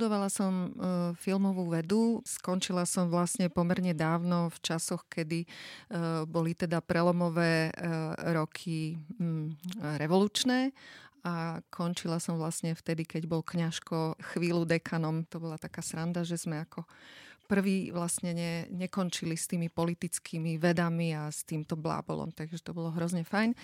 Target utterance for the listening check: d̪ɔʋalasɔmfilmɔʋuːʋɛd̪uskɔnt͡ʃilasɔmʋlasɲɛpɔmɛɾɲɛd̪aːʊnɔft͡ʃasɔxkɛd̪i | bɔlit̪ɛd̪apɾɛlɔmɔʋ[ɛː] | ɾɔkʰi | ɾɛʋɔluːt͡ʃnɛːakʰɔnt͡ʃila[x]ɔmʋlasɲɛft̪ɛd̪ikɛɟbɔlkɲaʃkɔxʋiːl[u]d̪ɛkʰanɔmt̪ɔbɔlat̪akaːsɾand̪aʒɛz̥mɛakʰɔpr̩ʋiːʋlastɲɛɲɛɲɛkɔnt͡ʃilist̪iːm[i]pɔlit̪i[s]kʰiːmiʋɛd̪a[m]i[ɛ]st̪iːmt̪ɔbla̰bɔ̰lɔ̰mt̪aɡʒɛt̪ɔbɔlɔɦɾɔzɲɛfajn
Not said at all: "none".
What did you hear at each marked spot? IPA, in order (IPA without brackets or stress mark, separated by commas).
ɛː, s, u, i, t͡s, m, a